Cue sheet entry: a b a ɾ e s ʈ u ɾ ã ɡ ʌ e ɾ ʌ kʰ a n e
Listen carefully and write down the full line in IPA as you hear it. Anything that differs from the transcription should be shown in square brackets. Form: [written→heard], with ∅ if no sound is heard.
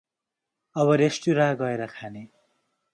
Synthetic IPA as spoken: [a→ʌ] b [a→ʌ] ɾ e s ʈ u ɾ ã ɡ ʌ e ɾ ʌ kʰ a n e